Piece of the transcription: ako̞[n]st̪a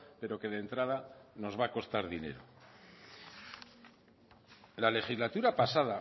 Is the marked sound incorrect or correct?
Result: incorrect